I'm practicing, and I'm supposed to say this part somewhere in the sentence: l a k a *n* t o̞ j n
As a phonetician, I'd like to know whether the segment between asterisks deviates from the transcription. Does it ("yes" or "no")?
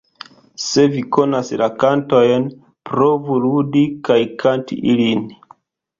no